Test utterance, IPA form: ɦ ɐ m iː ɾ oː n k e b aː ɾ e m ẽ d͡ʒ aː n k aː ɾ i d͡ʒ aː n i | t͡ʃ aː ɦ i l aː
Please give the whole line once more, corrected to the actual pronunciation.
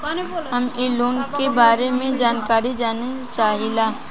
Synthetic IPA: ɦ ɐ m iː l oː n k e b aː ɾ e m ẽ d͡ʒ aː n k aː ɾ i d͡ʒ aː n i | t͡ʃ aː ɦ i l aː